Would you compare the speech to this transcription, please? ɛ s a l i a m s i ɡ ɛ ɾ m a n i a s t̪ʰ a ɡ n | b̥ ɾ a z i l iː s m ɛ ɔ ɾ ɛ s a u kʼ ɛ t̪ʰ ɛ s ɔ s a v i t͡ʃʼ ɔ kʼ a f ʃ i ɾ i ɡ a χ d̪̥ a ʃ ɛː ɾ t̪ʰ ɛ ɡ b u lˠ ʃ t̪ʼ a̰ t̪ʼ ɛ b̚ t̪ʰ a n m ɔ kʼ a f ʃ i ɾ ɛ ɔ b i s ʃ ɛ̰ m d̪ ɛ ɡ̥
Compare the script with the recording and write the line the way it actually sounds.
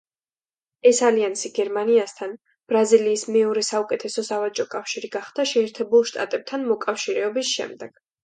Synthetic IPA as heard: ɛ s a l i a n s i ɡ ɛ ɾ m a n i a s t̪ʰ a n | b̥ ɾ a z i l iː s m ɛ ɔ ɾ ɛ s a u kʼ ɛ t̪ʰ ɛ s ɔ s a v a t͡ʃʼ ɔ kʼ a f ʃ i ɾ i ɡ a χ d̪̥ a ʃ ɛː ɾ t̪ʰ ɛ b u lˠ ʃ t̪ʼ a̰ t̪ʼ ɛ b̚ t̪ʰ a n m ɔ kʼ a f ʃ i ɾ ɛ ɔ b i s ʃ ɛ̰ m d̪ ɛ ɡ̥

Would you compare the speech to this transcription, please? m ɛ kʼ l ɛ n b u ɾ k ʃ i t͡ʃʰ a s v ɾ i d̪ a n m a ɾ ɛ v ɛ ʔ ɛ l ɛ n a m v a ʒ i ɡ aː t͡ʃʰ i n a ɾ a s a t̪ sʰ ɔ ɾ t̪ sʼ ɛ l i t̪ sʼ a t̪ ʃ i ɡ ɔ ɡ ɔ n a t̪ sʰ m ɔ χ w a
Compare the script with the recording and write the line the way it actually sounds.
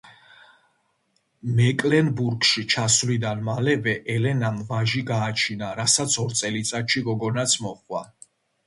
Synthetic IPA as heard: m ɛ kʼ l ɛ n b u ɾ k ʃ i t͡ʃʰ a s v l i d̪ a n m a l ɛ v ɛ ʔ ɛ l ɛ n a m v a ʒ i ɡ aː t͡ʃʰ i n a ɾ a s a t̪ sʰ ɔ ɾ t̪ sʼ ɛ l i t̪ sʼ a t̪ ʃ i ɡ ɔ ɡ ɔ n a t̪ sʰ m ɔ χ w a

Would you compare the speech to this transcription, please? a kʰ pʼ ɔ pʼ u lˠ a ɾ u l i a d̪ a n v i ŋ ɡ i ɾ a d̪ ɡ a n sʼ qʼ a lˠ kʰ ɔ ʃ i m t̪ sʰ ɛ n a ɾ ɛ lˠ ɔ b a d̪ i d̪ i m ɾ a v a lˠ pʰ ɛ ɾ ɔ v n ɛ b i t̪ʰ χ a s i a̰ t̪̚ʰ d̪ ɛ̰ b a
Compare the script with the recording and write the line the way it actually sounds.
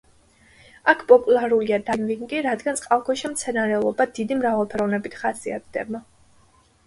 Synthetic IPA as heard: a kʰ pʼ ɔ pʼ u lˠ a ɾ u l i a d̪ a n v i ŋ ɡ i ɾ a d̪ ɡ a n sʼ qʼ a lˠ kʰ ɔ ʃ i m t̪ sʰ ɛ n a ɾ ɛ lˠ ɔ b a d̪ i d̪ i m ɾ a v a lˠ pʰ ɛ ɾ ɔ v n ɛ b i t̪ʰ χ a s i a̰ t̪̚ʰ d̪ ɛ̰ b a

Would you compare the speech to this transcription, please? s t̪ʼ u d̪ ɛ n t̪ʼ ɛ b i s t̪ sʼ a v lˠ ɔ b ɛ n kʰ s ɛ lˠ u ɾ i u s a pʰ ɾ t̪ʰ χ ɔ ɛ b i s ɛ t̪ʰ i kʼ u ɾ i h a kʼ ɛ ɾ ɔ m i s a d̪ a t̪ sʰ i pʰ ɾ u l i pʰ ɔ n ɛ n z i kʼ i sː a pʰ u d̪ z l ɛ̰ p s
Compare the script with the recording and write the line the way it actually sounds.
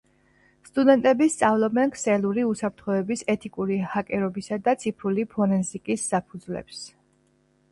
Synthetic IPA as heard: s t̪ʼ u d̪ ɛ n t̪ʼ ɛ b i s t̪ sʼ a v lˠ ɔ b ɛ n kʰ s ɛ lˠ u ɾ i u s a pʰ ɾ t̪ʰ χ ɔ ɛ b i s ɛ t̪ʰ i kʼ u ɾ i h a kʼ ɛ ɾ ɔ b i s a d̪ a t̪ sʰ i pʰ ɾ u l i pʰ ɔ n ɛ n z i kʼ i sː a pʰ u d̪ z l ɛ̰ p s

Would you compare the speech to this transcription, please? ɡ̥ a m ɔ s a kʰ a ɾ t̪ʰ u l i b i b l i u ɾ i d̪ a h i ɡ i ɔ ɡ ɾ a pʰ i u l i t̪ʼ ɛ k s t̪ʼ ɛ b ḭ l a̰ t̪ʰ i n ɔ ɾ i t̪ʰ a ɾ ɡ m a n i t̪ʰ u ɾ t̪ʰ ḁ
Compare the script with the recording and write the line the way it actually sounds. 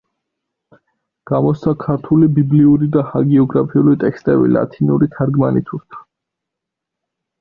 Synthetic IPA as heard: ɡ̥ a m ɔ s a kʰ a ɾ t̪ʰ u l i b i b l i u ɾ i d̪ a h a ɡ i ɔ ɡ ɾ a pʰ i u l i t̪ʼ ɛ k s t̪ʼ ɛ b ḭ l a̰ t̪ʰ i n u ɾ i t̪ʰ a ɾ ɡ m a n i t̪ʰ u ɾ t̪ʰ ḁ

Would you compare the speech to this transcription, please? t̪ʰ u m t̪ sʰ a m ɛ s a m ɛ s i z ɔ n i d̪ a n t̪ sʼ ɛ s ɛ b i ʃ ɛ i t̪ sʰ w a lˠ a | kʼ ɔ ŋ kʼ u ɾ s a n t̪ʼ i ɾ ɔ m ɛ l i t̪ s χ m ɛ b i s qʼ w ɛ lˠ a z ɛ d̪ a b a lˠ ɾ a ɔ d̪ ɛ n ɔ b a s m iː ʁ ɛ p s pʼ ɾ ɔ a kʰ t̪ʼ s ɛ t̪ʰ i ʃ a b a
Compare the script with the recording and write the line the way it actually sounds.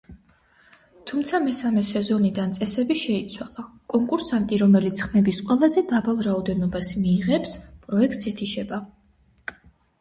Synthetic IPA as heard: t̪ʰ u m t̪ sʰ a m ɛ s a m ɛ s ɛ z ɔ n i d̪ a n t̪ sʼ ɛ s ɛ b i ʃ ɛ i t̪ sʰ w a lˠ a | kʼ ɔ ŋ kʼ u ɾ s a n t̪ʼ i ɾ ɔ m ɛ l i t̪ s χ m ɛ b i s qʼ w ɛ lˠ a z ɛ d̪ a b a lˠ ɾ a ɔ d̪ ɛ n ɔ b a s m iː ʁ ɛ p s pʼ ɾ ɔ ɛ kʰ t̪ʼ s ɛ t̪ʰ i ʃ ɛ b a

